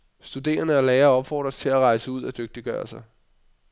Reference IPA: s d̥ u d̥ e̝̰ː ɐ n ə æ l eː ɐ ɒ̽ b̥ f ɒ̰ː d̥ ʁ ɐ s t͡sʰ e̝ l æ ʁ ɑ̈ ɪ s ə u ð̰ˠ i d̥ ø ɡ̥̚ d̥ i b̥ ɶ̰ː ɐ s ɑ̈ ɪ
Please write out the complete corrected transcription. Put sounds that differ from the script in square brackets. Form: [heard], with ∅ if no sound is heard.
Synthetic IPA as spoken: s d̥ u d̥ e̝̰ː ɐ n ə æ l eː ɐ ɒ̽ b̥ f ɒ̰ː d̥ ʁ ɐ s t͡sʰ e̝ l æ ʁ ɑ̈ ɪ s ə u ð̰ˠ [æ] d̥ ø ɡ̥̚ d̥ i [ɡ̥] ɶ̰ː ɐ s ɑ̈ ɪ